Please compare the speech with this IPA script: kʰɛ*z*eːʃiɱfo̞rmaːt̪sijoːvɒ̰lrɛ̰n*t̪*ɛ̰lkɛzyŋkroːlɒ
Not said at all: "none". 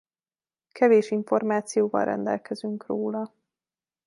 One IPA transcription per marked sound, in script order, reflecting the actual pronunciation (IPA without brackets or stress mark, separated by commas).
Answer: v, d̪